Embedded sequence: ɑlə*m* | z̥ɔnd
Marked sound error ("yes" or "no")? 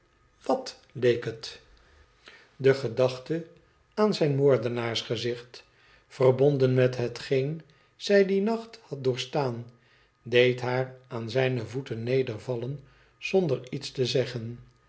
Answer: yes